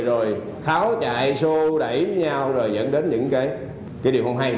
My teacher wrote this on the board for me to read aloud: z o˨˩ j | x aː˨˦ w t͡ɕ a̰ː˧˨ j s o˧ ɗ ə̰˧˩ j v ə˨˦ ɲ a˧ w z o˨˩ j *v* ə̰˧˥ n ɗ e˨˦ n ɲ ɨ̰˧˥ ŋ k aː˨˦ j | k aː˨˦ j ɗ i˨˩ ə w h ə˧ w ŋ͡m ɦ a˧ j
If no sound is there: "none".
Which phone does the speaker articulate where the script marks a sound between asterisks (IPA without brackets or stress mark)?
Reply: z